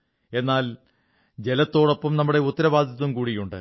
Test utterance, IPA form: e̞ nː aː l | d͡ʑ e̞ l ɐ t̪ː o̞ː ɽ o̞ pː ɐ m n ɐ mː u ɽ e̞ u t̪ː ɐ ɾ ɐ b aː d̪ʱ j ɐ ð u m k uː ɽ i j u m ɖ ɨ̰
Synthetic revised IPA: e̞ nː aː l | d͡ʑ e̞ l ɐ t̪ː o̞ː ɽ o̞ pː ɐ m n ɐ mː u ɽ e̞ u t̪ː ɐ ɾ ɐ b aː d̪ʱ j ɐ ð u m k uː ɽ i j u ɳ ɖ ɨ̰